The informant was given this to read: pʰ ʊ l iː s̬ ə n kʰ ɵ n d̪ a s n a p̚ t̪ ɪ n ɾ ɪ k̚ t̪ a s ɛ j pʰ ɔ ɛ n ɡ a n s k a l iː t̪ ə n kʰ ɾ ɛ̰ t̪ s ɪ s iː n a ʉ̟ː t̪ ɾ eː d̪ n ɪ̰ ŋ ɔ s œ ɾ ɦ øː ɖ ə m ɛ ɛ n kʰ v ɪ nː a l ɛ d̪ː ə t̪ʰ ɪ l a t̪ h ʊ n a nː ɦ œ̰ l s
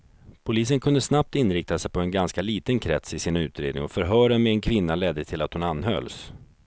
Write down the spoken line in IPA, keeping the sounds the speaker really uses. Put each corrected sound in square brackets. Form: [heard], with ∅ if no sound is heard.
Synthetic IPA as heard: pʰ ʊ l iː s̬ ə n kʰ ɵ n d̪ [ə] s n a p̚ t̪ ɪ n ɾ ɪ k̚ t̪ a s ɛ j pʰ ɔ ɛ n ɡ a n s k a l iː t̪ ə n kʰ ɾ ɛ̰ t̪ s ɪ s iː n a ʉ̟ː t̪ ɾ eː d̪ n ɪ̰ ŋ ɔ [f] œ ɾ ɦ [œː] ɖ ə m ɛ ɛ n kʰ v ɪ nː a l ɛ d̪ː ə t̪ʰ ɪ l a t̪ h ʊ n a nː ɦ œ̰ l s